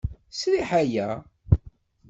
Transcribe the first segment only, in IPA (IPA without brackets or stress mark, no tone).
s